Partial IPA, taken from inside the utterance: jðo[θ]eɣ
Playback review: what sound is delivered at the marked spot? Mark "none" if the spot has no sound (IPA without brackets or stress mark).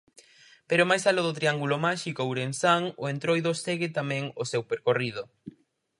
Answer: s